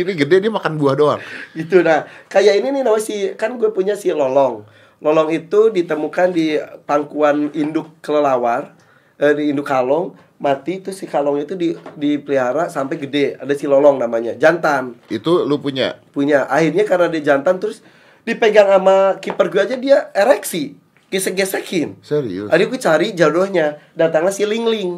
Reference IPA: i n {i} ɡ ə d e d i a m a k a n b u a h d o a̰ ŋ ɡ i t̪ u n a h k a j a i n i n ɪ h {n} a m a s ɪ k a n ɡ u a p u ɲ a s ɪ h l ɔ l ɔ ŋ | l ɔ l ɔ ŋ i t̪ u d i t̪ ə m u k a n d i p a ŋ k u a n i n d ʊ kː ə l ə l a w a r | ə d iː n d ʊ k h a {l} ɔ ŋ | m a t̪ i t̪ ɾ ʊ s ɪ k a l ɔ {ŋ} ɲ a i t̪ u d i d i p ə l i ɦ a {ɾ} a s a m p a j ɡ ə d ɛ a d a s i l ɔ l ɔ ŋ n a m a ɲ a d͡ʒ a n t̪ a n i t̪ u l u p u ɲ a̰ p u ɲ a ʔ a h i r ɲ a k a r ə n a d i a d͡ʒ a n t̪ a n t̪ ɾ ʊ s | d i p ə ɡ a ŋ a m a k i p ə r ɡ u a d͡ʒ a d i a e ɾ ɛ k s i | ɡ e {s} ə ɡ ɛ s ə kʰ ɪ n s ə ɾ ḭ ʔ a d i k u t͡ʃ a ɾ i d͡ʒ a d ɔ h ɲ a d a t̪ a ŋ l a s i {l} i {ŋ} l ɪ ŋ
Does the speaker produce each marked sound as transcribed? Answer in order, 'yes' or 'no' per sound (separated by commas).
yes, yes, yes, yes, yes, yes, yes, yes